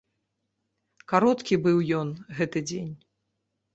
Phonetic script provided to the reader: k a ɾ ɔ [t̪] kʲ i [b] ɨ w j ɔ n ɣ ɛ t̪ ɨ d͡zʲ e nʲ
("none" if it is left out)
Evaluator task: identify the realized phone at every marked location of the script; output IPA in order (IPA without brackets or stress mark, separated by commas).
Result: t̪, b